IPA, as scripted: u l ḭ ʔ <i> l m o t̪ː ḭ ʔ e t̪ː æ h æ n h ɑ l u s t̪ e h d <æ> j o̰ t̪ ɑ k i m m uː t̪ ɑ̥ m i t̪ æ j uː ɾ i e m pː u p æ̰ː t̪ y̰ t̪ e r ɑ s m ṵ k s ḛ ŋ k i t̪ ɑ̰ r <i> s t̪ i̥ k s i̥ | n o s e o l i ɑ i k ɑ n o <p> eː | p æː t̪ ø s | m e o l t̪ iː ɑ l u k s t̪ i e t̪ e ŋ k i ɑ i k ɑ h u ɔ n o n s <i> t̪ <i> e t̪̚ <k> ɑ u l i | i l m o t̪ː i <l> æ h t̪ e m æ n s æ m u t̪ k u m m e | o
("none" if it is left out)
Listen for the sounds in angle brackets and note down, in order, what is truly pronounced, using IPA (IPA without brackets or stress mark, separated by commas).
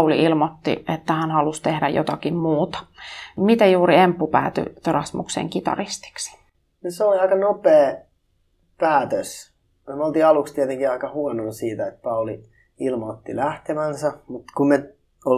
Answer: i, æ, i, p, iː, æ, p, l